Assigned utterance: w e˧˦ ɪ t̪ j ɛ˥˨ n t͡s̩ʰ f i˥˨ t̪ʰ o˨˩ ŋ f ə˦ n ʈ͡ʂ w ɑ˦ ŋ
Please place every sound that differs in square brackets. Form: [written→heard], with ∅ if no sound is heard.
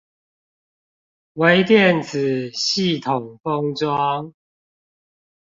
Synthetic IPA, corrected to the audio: w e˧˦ ɪ t̪ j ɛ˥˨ n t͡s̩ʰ [f→ɕ] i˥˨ t̪ʰ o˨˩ ŋ f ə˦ [n→ŋ] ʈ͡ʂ w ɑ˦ ŋ